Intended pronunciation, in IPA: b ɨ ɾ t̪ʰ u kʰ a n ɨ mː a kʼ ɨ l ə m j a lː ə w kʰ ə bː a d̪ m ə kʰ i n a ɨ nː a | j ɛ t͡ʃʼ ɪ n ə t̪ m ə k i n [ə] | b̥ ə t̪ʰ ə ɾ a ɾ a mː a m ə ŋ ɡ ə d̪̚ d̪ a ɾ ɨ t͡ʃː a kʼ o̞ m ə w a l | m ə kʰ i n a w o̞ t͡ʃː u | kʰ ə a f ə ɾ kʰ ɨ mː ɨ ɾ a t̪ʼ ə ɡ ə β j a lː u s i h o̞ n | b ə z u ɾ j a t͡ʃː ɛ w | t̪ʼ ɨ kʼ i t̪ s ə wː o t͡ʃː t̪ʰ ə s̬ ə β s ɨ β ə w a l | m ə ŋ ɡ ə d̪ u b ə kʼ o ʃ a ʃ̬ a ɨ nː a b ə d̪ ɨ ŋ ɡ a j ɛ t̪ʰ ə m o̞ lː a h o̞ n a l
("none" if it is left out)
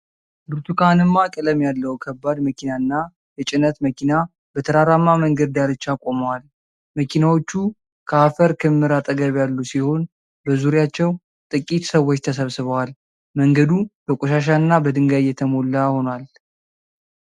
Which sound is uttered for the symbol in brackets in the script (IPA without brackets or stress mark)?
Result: a